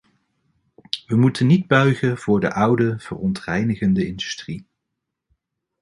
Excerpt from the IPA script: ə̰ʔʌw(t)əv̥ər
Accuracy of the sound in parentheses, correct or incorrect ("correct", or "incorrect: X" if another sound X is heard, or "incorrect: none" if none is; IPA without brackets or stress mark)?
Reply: incorrect: d